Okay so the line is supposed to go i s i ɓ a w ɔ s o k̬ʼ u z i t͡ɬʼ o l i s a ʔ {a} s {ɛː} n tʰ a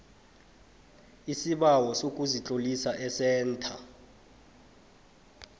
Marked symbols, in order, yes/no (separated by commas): no, yes